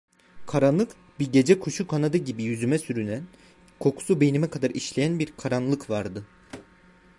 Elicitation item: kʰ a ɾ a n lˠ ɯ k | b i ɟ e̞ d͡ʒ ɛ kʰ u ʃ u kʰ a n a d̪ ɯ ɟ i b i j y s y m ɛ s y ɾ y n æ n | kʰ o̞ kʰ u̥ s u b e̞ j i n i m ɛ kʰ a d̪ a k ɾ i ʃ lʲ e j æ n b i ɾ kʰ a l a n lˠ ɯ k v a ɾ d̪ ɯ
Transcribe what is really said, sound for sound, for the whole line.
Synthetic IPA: kʰ a ɾ a n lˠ ɯ k | b i ɟ e̞ d͡ʒ ɛ kʰ u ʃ u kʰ a n a d̪ ɯ ɟ i b i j y z y m ɛ s y ɾ y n æ n | kʰ o̞ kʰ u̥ s u b e̞ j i n i m ɛ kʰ a d̪ a ɾ i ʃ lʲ e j æ n b i ɾ kʰ a ɾ a n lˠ ɯ k v a ɾ d̪ ɯ